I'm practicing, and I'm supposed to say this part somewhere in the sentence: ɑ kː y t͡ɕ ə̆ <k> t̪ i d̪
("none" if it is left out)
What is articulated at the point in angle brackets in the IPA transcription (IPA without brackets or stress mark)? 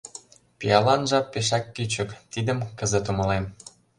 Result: k